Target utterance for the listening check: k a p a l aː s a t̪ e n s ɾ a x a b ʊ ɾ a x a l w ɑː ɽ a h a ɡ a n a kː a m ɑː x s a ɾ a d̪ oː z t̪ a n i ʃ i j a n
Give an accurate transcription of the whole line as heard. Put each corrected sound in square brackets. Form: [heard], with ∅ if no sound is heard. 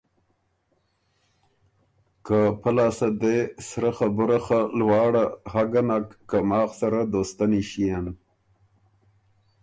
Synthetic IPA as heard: k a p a l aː s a [d̪] e [∅] s ɾ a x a b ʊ ɾ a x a l w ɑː ɽ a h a ɡ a n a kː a m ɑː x s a ɾ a d̪ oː [s] t̪ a n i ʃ i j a n